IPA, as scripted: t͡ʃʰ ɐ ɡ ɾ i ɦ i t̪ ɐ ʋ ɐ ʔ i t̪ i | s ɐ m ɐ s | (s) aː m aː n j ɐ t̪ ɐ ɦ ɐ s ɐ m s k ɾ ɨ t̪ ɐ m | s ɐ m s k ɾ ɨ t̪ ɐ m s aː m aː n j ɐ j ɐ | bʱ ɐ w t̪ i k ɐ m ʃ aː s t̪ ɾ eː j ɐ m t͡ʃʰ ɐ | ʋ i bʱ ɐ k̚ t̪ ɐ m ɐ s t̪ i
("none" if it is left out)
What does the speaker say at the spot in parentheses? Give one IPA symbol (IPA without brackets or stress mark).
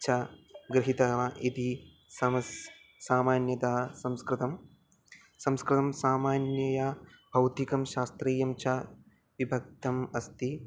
s